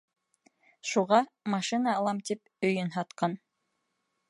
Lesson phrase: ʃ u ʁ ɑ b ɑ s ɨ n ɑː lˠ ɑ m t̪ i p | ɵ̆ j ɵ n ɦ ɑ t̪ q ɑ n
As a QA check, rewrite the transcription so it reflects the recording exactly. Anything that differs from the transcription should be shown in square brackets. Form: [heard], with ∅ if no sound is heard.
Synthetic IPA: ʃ u ʁ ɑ [m] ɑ [ʃ] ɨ n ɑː lˠ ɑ m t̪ i p | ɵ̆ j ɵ n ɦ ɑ t̪ q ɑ n